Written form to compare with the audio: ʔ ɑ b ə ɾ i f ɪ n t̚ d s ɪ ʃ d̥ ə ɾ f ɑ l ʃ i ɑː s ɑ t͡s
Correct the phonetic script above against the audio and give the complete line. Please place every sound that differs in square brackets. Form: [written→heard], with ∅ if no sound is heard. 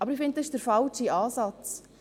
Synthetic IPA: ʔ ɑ b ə ɾ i f ɪ n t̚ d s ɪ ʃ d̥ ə ɾ f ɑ l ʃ i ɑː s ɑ t͡s